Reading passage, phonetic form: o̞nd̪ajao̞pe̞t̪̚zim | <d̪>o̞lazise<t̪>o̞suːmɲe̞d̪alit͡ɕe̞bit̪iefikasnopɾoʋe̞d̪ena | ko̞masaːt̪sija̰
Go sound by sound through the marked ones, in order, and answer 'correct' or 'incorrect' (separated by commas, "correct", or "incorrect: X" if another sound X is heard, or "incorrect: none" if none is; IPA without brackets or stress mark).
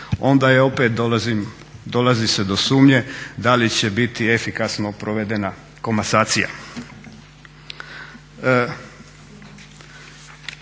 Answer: correct, incorrect: d̪